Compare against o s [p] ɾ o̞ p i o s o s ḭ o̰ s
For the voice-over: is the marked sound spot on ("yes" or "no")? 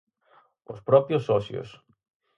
yes